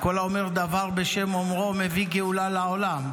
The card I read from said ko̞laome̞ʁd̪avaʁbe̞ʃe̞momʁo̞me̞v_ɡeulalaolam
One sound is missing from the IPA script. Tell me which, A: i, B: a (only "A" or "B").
A